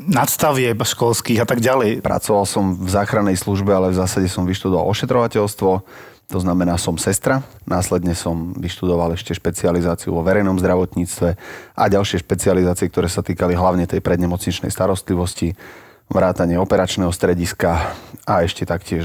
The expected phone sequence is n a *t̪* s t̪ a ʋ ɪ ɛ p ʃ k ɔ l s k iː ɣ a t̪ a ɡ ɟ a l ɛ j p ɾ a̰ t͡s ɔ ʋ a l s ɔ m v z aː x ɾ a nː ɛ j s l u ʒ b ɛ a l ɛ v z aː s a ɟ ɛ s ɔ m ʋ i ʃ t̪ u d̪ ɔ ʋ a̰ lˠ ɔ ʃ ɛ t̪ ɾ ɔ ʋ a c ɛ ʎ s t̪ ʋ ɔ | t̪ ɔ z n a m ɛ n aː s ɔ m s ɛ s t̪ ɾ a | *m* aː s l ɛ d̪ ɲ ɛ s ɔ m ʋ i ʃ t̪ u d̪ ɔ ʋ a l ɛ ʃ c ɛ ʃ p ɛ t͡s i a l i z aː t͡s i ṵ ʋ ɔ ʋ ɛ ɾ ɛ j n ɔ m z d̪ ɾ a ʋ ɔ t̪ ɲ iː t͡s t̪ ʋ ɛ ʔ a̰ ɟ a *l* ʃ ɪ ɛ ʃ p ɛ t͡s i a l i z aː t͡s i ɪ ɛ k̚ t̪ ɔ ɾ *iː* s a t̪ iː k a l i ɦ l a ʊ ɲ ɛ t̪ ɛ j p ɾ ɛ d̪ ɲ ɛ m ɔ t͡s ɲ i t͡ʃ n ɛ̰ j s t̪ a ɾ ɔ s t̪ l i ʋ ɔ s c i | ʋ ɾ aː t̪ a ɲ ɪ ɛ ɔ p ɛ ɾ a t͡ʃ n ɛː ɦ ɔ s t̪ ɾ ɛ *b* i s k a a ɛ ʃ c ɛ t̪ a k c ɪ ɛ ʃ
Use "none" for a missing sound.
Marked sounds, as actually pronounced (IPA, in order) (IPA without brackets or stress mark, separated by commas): t̪, n, l, ɛː, ɟ